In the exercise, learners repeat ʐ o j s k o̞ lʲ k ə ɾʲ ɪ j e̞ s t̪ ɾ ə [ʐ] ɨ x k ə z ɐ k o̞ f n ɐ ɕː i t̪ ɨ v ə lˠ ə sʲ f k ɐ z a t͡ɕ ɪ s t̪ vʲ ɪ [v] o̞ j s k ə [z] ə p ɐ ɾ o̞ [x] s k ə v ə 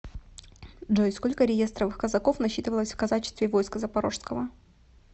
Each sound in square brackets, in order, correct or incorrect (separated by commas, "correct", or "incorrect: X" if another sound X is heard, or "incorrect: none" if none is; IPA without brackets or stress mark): incorrect: v, correct, correct, incorrect: ʂ